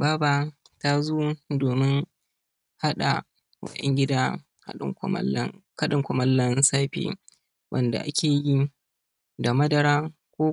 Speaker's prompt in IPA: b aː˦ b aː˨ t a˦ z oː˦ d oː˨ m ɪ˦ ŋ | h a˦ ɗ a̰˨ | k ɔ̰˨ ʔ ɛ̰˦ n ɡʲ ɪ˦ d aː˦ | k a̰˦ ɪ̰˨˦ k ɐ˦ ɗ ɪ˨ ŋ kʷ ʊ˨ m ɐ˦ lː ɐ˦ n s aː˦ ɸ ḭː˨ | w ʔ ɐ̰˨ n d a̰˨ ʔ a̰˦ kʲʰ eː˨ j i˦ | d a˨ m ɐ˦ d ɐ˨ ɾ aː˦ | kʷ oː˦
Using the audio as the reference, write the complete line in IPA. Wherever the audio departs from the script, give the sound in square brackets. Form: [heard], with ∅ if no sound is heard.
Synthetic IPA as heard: b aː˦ b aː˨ t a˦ z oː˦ d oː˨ m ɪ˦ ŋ | h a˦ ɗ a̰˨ | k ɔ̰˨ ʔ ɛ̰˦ [ŋ] ɡʲ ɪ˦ d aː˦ | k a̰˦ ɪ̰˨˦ k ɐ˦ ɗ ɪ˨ ŋ kʷ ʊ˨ m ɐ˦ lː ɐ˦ n s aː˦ ɸ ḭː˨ | w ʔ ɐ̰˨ n d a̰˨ ʔ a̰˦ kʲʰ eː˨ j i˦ | d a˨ m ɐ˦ d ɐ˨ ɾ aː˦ | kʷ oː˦